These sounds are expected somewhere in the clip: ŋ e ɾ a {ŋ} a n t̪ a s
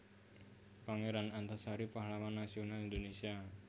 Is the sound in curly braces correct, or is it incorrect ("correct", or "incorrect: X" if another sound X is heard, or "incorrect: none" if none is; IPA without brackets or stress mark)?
incorrect: n